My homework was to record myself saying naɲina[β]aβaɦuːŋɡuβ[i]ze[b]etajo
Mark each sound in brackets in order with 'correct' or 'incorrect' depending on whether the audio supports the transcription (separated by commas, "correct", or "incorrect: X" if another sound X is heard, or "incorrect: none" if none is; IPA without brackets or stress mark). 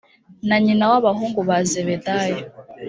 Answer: incorrect: w, incorrect: a, incorrect: β